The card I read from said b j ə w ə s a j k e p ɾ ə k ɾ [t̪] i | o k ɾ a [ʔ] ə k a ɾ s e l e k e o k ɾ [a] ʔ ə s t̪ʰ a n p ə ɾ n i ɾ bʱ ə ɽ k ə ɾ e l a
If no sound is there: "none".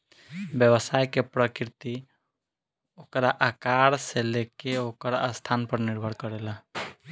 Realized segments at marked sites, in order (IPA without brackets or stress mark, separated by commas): t̪, ʔ, a